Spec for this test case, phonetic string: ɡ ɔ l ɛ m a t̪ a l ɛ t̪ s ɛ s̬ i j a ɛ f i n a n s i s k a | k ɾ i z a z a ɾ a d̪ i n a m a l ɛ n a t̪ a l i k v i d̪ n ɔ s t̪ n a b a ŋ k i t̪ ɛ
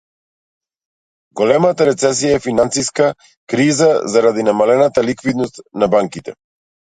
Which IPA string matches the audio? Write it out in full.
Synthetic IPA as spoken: ɡ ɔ l ɛ m a t̪ a ɾ ɛ t̪ s ɛ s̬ i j a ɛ f i n a n s i s k a | k ɾ i z a z a ɾ a d̪ i n a m a l ɛ n a t̪ a l i k v i d̪ n ɔ s t̪ n a b a ŋ k i t̪ ɛ